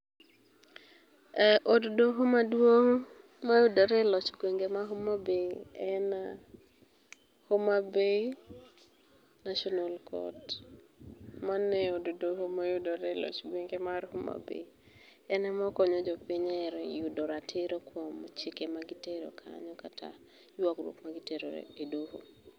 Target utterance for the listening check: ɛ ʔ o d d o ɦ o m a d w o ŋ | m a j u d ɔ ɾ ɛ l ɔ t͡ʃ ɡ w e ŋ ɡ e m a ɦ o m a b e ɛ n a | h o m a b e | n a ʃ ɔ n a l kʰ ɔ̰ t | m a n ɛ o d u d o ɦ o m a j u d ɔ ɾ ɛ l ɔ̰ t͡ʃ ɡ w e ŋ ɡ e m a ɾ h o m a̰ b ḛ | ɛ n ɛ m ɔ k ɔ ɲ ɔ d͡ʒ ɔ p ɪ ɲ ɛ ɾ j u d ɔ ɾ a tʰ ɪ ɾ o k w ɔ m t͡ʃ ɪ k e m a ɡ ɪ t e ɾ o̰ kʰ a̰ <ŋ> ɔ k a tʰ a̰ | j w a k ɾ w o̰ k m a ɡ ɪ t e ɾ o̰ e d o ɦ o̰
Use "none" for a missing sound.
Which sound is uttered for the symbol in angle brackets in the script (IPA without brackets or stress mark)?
ɲ